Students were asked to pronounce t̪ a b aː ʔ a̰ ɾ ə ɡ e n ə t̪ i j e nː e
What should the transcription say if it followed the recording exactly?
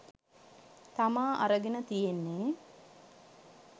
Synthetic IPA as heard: t̪ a m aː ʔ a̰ ɾ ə ɡ e n ə t̪ i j e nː e